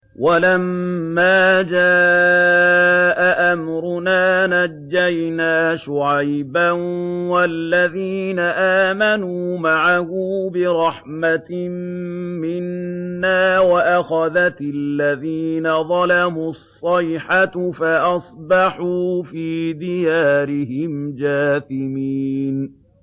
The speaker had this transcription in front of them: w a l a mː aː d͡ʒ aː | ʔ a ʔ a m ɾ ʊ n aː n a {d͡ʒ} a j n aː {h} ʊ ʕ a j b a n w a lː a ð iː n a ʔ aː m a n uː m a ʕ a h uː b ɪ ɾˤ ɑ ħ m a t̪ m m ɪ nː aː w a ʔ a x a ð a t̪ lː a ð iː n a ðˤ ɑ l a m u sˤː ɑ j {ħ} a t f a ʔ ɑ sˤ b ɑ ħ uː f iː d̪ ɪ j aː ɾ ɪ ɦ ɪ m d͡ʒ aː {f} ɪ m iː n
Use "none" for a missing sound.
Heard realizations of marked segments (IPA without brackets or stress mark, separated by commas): d͡ʒː, ʃ, ħ, θ